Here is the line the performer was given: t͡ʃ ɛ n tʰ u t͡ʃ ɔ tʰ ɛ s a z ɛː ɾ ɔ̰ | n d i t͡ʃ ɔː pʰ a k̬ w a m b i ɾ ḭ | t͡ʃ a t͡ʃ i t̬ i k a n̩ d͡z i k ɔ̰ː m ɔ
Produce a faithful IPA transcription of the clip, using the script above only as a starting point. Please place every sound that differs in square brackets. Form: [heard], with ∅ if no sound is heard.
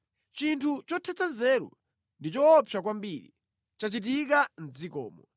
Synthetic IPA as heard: t͡ʃ [i] n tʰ u t͡ʃ ɔ tʰ ɛ [t͡s] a z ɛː ɾ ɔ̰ | n d i t͡ʃ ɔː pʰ a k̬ w a m b i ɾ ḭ | t͡ʃ a t͡ʃ i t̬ i k a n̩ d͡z i k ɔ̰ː m ɔ